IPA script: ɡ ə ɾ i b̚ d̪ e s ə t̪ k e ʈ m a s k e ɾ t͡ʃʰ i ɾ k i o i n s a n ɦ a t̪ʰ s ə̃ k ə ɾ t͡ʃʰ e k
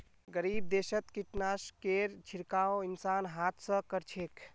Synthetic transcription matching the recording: ɡ ə ɾ i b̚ d̪ e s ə t̪ k i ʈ n a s k e ɾ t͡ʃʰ i ɾ k a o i n s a n ɦ a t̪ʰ s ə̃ k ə ɾ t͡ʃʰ e k